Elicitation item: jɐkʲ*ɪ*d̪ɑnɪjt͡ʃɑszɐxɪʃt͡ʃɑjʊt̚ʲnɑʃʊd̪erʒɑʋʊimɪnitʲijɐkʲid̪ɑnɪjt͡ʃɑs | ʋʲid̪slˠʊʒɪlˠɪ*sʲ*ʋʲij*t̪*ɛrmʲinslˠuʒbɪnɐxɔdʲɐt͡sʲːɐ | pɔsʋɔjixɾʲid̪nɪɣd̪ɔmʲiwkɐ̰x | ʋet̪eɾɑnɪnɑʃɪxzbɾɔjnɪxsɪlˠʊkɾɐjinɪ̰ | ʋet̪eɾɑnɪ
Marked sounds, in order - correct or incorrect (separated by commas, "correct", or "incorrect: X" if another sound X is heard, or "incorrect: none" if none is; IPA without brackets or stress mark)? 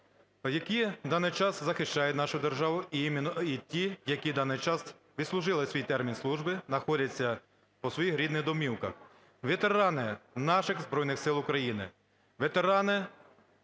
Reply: incorrect: i, correct, correct